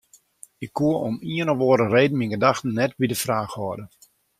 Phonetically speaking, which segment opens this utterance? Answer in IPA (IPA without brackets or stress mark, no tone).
ɪ